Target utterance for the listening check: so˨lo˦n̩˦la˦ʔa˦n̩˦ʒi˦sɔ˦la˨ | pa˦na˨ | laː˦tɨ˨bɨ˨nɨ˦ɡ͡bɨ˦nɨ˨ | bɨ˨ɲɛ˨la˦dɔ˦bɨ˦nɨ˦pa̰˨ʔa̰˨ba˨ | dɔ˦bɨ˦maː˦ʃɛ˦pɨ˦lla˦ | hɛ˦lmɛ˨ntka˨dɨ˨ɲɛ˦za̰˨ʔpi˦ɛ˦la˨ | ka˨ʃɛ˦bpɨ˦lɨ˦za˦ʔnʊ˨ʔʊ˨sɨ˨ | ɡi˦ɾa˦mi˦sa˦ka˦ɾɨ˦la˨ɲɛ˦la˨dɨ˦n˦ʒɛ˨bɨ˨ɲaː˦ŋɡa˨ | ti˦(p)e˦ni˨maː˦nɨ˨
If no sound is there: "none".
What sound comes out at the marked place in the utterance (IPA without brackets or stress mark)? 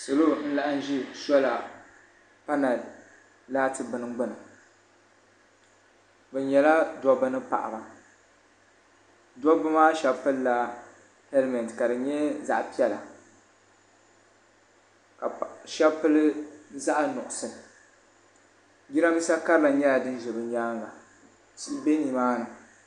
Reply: b